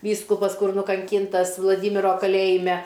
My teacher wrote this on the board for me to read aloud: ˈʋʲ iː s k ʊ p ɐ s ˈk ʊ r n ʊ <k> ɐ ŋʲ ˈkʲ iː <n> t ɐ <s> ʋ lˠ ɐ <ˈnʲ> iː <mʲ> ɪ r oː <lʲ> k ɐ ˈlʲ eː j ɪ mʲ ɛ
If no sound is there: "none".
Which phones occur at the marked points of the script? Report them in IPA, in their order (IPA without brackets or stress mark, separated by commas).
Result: k, n, s, dʲ, mʲ, none